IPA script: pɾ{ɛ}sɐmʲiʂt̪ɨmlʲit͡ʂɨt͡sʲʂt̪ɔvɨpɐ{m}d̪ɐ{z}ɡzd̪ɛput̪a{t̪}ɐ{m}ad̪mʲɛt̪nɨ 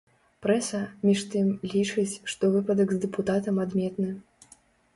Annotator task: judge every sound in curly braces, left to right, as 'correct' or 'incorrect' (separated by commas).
correct, incorrect, incorrect, correct, correct